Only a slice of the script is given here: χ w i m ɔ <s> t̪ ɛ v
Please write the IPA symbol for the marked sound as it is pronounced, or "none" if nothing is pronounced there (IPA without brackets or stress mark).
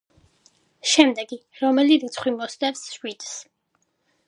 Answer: s